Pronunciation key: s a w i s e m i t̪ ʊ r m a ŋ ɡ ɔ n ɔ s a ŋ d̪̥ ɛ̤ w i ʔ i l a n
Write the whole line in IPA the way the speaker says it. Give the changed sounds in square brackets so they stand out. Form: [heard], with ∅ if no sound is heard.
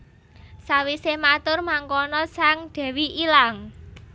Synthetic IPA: s a w i s e m [a] t̪ ʊ r m a ŋ [k] ɔ n ɔ s a ŋ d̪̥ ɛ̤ w i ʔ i l a [ŋ]